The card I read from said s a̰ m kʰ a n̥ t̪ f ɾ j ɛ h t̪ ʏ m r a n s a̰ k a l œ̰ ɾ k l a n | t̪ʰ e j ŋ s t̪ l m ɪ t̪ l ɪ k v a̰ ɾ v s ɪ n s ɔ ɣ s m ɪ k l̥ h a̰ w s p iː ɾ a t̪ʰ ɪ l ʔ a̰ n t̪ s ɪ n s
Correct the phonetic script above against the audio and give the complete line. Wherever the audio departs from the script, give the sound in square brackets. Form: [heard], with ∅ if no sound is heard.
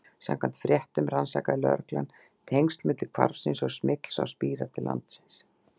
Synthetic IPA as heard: s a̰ m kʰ a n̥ t̪ f ɾ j ɛ h t̪ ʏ m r a n s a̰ k a l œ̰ ɾ k l a n | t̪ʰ e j ŋ s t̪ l m ɪ t̪ l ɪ [kʰ] v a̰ ɾ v s ɪ n s ɔ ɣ s m ɪ k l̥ [s] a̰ w s p iː ɾ a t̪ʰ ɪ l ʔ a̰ n t̪ s ɪ n s

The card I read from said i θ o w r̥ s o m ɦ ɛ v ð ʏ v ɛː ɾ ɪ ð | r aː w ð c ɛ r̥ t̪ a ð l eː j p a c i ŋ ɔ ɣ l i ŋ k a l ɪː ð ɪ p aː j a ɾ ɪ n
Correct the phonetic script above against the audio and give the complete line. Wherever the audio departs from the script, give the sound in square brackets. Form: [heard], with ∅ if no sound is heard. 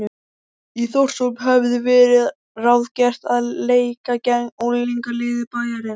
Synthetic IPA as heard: i θ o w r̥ s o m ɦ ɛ v ð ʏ v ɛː ɾ ɪ ð | r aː w ð c ɛ r̥ t̪ a ð l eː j [k] a c [ɛ] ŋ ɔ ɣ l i ŋ k a l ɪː ð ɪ p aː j a ɾ ɪ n

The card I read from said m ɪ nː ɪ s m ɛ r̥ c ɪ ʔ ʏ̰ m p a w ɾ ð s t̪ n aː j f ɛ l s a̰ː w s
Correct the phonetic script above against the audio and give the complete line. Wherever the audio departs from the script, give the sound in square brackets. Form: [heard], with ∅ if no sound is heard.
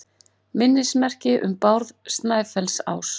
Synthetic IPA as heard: m ɪ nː ɪ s m ɛ r̥ c ɪ ʔ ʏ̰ m p a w ɾ ð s t̪ n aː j f ɛ l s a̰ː w s

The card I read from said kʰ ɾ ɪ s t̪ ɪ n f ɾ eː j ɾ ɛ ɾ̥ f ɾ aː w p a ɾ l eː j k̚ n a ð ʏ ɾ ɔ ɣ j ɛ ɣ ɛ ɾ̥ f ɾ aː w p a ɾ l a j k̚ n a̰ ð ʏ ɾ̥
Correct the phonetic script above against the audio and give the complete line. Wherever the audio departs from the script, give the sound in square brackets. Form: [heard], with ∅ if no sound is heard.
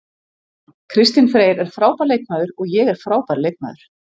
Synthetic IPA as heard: kʰ ɾ ɪ s t̪ ɪ n f ɾ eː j ɾ ɛ ɾ̥ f ɾ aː w p a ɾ l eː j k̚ n a ð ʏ ɾ ɔ ɣ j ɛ ɣ ɛ ɾ̥ f ɾ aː w p a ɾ l [e] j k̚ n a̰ ð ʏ ɾ̥

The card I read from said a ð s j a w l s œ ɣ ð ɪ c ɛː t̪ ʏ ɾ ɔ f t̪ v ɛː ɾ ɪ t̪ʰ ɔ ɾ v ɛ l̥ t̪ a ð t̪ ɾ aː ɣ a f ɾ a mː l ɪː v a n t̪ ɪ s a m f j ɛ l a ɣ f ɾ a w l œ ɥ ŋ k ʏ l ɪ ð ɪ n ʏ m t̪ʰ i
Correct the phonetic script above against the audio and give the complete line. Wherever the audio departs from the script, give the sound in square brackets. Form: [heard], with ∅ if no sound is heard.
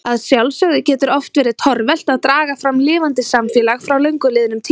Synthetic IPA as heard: a ð s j a w l s œ ɣ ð ɪ c ɛː t̪ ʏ ɾ ɔ f t̪ v ɛː ɾ ɪ t̪ʰ ɔ ɾ v ɛ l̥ t̪ a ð t̪ ɾ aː ɣ a f ɾ a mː l ɪː v a n t̪ ɪ s a m f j ɛ l a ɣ f ɾ a w l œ ɥ ŋ k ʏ l ɪ ð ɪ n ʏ m t̪ʰ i

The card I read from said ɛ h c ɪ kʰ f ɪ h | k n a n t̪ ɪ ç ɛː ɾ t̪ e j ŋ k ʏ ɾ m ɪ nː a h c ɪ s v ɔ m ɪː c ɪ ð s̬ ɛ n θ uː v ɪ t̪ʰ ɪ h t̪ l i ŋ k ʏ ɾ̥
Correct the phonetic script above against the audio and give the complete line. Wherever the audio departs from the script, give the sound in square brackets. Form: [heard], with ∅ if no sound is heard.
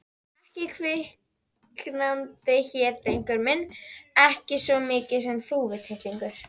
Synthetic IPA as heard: ɛ h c ɪ kʰ [v] ɪ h | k n a n t̪ ɪ ç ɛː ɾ t̪ e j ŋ k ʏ ɾ m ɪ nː [ɛ] h c ɪ s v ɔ m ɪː c ɪ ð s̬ ɛ [m] θ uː v ɪ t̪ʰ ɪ h t̪ l i ŋ k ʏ ɾ̥

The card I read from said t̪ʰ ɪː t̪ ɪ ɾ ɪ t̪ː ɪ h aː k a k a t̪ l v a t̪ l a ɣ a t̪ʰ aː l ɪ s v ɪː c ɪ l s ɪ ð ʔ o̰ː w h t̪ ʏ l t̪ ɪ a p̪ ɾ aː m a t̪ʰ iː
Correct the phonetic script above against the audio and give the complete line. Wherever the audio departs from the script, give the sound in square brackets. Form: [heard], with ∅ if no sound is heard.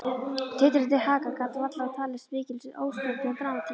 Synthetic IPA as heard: t̪ʰ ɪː t̪ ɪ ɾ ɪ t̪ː ɪ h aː k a k a t̪ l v a t̪ l a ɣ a t̪ʰ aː l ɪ s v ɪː c ɪ l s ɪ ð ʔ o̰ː w [s] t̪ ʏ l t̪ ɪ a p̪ ɾ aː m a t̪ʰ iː

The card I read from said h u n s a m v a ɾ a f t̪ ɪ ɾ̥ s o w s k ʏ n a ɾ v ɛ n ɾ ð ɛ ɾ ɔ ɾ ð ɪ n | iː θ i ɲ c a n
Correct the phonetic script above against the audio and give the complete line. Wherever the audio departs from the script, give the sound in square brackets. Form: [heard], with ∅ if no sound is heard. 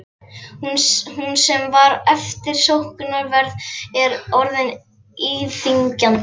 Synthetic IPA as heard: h u n s [ɛ] m v a ɾ [ɛ] f t̪ ɪ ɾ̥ s o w [h] k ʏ n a ɾ v ɛ [∅] ɾ ð ɛ ɾ ɔ ɾ ð ɪ n | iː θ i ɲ c a n

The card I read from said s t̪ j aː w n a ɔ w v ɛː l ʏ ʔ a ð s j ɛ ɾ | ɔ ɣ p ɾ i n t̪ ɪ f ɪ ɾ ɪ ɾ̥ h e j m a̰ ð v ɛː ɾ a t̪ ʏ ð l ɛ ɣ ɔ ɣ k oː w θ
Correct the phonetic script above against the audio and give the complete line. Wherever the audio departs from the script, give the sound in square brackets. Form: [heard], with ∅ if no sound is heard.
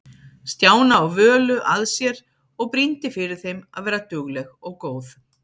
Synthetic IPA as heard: s t̪ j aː w n a ɔ [ɣ] v [œː] l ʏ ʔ a ð s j ɛ ɾ | ɔ ɣ p ɾ i n t̪ ɪ f ɪ ɾ ɪ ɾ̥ [θ] e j m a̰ ð v ɛː ɾ a t̪ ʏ [ɣ] l ɛ ɣ ɔ ɣ k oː w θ

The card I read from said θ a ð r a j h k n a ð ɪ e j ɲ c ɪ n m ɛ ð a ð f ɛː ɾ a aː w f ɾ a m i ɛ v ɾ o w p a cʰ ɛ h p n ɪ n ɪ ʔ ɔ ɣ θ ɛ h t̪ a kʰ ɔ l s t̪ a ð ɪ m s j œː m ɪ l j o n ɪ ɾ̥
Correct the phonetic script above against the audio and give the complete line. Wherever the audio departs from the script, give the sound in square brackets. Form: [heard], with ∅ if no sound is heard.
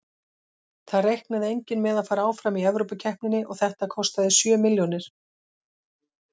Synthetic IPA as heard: θ a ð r [e] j h k n a ð ɪ e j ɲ c ɪ n m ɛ ð a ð f [aː] ɾ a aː w f ɾ a m i ɛ v ɾ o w p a cʰ ɛ h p n ɪ n ɪ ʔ ɔ ɣ θ ɛ h t̪ a kʰ ɔ [∅] s t̪ a ð ɪ [∅] s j œː m ɪ l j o n ɪ ɾ̥

